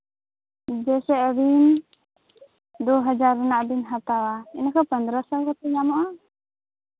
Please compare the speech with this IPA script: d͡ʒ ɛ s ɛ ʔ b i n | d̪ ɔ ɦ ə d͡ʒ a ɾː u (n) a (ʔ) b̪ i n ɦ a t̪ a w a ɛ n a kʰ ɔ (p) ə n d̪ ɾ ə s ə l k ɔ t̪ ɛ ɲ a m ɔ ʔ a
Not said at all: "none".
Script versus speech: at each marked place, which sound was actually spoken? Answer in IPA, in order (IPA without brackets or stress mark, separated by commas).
n, ʔ, p